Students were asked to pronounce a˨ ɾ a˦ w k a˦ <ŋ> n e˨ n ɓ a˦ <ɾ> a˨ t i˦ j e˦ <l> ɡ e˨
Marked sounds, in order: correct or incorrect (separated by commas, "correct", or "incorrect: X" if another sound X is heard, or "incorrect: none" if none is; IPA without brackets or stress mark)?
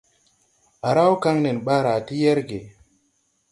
correct, correct, incorrect: ɾ